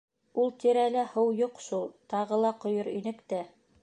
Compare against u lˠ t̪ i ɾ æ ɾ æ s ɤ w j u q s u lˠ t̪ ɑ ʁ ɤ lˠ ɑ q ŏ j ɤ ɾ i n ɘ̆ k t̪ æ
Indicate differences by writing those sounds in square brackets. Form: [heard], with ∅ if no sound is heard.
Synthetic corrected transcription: u lˠ t̪ i ɾ æ [l] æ [h] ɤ w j u q [ʃ] u lˠ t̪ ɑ ʁ ɤ lˠ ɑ q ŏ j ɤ ɾ i n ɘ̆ k t̪ æ